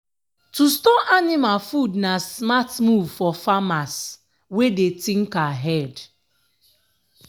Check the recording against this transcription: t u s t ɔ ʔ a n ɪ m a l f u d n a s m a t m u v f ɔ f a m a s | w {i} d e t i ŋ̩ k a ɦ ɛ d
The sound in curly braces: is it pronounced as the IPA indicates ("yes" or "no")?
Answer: no